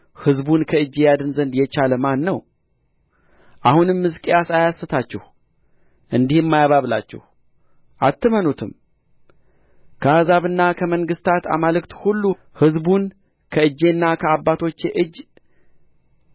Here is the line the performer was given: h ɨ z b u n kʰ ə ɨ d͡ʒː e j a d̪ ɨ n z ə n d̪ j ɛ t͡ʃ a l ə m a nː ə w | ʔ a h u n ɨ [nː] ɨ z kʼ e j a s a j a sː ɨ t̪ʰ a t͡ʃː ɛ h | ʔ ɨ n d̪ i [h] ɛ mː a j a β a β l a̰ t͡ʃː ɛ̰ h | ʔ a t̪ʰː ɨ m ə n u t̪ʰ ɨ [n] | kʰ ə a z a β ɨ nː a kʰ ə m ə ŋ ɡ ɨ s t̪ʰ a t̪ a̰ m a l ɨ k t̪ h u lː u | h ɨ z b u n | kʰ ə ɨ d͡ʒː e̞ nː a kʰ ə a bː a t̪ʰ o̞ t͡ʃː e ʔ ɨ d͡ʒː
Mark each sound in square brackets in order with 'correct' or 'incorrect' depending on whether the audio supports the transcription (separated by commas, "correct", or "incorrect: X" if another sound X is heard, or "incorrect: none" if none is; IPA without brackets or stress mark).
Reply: incorrect: mː, correct, incorrect: m